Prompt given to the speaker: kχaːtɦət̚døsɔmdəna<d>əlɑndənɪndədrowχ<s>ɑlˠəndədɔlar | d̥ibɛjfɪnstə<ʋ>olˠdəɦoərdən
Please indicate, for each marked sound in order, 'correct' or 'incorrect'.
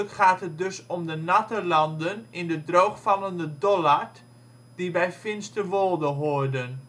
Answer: incorrect, incorrect, correct

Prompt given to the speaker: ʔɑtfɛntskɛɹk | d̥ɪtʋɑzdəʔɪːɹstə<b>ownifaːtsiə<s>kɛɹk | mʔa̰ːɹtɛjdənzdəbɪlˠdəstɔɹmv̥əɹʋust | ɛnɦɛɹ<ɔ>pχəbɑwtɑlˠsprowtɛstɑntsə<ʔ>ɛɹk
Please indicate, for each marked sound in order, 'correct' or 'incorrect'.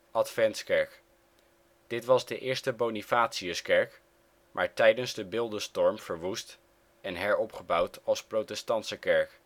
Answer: correct, correct, correct, incorrect

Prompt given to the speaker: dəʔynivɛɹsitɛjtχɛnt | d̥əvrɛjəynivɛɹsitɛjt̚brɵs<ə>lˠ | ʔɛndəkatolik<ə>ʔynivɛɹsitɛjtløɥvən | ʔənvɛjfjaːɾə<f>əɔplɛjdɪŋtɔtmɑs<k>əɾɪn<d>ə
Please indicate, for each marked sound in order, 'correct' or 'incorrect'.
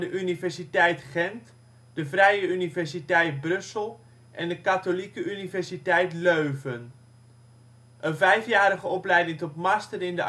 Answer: correct, correct, incorrect, incorrect, correct

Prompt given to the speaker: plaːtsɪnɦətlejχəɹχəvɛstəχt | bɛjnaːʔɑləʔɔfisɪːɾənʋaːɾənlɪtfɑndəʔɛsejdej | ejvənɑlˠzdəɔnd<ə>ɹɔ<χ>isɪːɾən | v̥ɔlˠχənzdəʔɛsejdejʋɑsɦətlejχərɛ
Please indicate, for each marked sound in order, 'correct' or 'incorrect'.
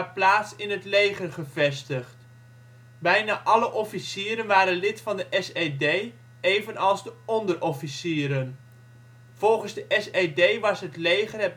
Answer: correct, incorrect

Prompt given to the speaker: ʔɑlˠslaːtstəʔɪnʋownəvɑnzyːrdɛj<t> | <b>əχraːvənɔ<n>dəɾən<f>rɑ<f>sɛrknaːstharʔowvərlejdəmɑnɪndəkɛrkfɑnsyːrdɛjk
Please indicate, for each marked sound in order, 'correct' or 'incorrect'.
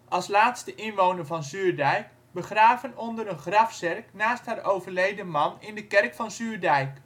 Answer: incorrect, correct, correct, incorrect, correct

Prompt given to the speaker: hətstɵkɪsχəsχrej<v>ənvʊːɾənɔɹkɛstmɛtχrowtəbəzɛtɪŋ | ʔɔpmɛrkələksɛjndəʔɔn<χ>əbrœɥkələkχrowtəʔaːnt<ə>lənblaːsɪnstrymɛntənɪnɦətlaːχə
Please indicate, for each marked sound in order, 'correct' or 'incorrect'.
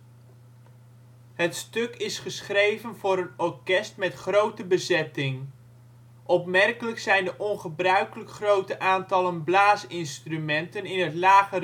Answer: correct, correct, incorrect

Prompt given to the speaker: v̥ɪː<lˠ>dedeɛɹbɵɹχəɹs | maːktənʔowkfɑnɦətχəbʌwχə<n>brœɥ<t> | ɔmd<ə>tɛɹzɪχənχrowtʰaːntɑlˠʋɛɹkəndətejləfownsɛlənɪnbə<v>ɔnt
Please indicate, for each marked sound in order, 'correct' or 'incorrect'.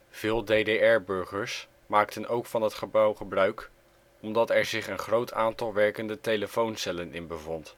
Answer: correct, incorrect, incorrect, incorrect, correct

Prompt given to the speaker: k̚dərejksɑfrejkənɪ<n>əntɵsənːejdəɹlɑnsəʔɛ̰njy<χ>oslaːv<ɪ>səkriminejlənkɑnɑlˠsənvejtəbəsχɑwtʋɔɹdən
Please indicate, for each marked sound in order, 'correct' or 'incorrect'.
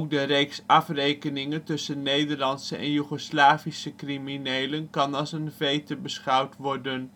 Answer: incorrect, correct, incorrect

